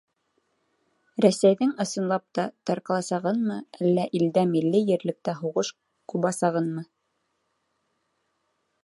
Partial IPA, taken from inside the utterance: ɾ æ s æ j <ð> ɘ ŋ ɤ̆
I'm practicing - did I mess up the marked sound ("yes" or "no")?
no